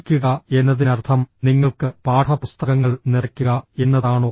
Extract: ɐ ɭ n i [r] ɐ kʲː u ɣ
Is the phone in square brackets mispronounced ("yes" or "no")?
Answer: no